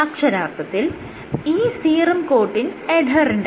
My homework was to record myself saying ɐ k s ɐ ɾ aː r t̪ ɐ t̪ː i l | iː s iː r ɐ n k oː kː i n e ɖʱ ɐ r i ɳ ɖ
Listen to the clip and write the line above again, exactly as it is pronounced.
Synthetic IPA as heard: ɐ k ʂ ɐ ɾ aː r t̪ ɐ t̪ː i l | iː s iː r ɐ m k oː ʈː i n e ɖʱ ɐ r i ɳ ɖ

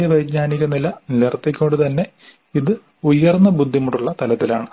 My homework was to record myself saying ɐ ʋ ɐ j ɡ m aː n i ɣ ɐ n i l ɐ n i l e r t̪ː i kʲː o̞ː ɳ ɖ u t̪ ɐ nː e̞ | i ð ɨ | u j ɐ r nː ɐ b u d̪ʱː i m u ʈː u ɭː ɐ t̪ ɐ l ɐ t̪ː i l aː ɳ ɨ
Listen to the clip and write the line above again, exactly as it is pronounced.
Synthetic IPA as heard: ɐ ʋ ɐ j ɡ ɲ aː n i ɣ ɐ n i l ɐ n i l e r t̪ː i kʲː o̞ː ɳ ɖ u t̪ ɐ nː e̞ | i ð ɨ | u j ɐ r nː ɐ b u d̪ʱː i m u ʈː u ɭː ɐ t̪ ɐ l ɐ t̪ː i l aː ɳ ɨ

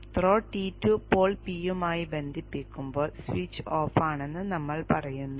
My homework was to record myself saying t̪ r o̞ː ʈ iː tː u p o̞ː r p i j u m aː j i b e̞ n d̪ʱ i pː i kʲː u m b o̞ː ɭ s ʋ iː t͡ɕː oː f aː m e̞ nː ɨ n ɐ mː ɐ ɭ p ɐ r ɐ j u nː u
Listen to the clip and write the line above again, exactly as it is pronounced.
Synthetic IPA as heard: t̪ r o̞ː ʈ iː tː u p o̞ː ɭ p i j u m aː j i b e̞ n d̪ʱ i pː i kʲː u m b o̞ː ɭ s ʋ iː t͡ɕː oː f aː ɳ e̞ nː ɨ n ɐ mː ɐ ɭ p ɐ r ɐ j u nː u

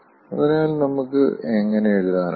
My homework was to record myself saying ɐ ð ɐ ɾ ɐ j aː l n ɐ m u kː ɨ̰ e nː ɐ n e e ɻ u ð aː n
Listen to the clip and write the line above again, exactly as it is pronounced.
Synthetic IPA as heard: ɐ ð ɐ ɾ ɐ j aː l n ɐ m u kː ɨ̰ e ŋː ɐ n e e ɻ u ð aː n

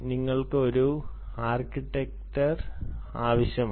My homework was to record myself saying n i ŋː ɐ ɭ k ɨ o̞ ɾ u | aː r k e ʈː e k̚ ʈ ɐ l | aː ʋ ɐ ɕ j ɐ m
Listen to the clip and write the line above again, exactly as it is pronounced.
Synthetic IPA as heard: n i ŋː ɐ ɭ k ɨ o̞ ɾ u | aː r k i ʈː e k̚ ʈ ɐ r | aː ʋ ɐ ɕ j ɐ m

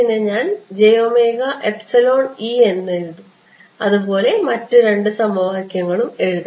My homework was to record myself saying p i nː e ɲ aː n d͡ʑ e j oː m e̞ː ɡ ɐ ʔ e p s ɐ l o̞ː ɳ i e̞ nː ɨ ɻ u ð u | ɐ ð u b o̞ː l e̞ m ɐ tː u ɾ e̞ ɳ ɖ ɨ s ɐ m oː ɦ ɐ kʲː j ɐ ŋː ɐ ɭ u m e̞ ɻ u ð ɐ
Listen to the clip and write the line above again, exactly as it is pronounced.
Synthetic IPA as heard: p i nː e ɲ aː n d͡ʑ e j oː m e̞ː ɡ ɐ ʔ e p s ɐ l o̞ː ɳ i e̞ nː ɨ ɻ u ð u | ɐ ð u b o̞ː l e̞ m ɐ tː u ɾ e̞ ɳ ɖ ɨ s ɐ m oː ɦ ɐ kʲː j ɐ ŋː ɐ ɭ u m e̞ ɻ u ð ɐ

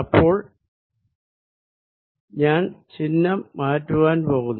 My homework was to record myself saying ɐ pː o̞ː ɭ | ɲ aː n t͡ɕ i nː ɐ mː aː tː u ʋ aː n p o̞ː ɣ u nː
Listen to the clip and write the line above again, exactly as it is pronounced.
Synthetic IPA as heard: ɐ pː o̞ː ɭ | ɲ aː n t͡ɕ i nː ɐ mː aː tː u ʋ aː n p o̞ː ɣ u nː

